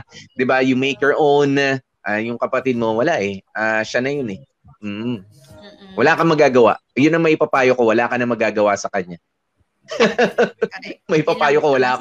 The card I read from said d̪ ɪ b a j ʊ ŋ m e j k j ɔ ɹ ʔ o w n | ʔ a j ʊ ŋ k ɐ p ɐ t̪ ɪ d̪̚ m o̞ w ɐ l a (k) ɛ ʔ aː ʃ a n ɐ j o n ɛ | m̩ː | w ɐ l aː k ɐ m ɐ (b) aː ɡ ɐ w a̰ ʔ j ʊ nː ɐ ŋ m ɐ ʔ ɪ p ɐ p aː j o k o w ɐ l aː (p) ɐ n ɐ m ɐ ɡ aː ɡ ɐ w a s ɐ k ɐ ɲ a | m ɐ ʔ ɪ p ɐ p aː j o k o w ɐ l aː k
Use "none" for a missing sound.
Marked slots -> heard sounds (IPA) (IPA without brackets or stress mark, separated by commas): ʔ, ɡ, k